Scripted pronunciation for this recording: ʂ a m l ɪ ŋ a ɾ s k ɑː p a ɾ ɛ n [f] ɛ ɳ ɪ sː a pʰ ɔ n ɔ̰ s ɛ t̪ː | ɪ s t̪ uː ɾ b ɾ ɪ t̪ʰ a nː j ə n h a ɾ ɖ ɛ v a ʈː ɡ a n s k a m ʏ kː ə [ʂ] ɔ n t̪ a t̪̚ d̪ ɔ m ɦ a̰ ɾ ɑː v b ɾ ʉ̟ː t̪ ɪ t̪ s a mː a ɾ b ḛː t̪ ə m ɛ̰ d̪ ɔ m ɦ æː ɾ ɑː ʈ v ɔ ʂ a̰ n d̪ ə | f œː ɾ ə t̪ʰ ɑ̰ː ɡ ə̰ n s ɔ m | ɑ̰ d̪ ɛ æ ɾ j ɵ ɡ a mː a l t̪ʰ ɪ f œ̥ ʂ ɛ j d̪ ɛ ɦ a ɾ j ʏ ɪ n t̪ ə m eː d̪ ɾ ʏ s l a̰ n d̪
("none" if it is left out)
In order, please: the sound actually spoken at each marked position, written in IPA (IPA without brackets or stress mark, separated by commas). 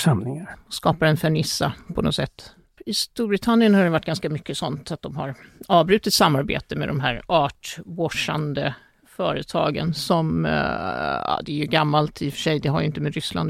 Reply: f, s